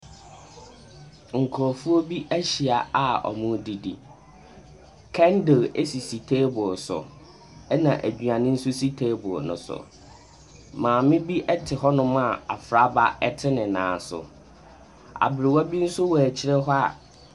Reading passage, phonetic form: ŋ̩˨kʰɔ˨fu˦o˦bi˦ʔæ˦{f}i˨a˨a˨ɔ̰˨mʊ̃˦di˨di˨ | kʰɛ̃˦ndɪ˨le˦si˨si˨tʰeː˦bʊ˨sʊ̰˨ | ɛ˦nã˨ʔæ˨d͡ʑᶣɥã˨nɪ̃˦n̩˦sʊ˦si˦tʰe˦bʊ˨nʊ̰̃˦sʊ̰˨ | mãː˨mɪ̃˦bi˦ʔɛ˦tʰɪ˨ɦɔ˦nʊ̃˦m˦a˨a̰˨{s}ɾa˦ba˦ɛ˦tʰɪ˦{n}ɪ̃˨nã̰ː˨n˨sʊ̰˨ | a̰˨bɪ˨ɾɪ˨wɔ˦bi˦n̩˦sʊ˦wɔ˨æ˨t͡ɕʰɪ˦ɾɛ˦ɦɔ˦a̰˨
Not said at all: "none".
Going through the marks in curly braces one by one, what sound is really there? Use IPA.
ɕ, f, n

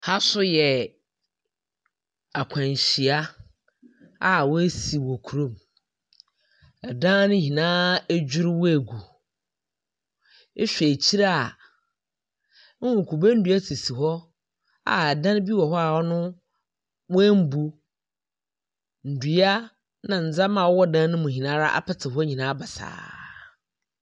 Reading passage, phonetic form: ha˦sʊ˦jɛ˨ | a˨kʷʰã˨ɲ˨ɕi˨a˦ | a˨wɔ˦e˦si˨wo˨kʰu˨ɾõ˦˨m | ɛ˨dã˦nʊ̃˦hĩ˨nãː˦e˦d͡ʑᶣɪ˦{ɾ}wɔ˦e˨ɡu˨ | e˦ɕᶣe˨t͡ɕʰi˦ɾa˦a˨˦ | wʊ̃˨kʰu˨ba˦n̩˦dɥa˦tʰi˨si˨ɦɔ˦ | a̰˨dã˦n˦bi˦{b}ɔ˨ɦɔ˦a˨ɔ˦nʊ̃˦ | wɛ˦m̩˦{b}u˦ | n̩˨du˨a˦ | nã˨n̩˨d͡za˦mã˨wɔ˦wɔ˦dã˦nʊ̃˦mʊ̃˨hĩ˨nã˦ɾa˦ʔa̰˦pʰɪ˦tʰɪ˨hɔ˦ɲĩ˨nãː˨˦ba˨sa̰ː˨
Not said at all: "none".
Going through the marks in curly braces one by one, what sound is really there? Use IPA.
ɾ, w, b

